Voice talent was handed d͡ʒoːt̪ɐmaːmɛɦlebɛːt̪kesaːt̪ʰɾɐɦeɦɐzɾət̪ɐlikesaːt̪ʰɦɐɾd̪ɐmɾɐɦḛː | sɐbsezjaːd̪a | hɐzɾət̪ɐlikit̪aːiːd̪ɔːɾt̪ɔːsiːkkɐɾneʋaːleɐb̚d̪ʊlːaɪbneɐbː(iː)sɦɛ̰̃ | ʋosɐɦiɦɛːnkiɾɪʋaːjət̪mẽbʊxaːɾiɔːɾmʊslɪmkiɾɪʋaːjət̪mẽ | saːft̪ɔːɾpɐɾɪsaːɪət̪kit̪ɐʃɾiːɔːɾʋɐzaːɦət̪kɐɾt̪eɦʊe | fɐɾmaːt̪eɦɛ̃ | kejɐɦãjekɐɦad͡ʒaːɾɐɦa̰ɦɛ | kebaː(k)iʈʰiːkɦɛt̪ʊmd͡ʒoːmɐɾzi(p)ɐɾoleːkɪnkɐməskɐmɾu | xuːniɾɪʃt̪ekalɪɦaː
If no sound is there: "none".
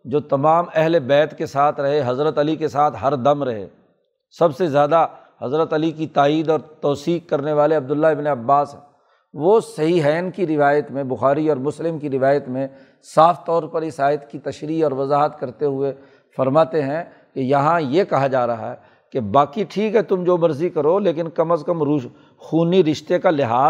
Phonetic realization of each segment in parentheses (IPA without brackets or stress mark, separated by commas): aː, k, k